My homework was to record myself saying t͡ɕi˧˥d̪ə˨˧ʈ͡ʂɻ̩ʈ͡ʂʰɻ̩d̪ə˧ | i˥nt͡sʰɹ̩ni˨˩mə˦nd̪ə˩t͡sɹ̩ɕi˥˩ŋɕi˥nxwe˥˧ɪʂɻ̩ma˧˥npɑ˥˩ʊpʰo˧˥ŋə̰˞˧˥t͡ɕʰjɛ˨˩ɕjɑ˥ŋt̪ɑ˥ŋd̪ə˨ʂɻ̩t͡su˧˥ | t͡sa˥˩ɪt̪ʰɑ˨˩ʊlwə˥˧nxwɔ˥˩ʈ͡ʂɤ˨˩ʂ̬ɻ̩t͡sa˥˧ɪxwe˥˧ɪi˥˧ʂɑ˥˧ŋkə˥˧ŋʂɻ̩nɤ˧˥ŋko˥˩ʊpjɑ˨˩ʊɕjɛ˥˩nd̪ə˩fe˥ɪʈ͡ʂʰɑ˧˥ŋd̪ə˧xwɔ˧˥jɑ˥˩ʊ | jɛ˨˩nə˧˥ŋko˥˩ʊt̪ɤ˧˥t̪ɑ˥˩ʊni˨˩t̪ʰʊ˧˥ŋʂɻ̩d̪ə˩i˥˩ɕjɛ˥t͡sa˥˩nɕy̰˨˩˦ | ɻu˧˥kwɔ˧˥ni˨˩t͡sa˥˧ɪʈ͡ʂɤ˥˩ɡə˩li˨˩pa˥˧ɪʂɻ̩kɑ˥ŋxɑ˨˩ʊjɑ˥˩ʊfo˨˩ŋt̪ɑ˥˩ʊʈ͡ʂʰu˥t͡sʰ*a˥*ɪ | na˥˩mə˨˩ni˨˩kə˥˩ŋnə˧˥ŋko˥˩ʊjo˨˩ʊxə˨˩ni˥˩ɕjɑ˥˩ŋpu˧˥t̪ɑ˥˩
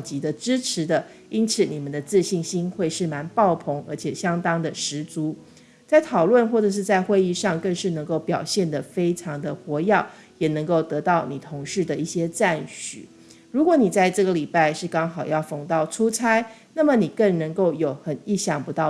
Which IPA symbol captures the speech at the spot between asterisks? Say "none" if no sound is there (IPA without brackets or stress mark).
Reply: a˥